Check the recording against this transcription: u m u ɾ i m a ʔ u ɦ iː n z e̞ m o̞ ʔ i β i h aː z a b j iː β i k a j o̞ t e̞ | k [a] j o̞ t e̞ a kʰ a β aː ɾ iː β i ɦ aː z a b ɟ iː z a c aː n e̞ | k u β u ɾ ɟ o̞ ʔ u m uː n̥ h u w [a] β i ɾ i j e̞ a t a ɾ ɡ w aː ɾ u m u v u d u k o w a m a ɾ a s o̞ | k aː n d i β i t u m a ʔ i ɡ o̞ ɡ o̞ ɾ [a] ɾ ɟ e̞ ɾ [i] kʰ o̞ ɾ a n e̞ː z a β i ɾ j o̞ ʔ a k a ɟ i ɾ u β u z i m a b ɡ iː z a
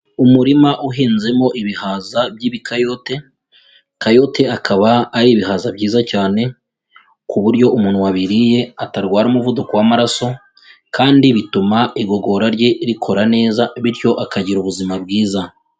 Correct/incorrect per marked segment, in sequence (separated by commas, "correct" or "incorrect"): correct, correct, correct, correct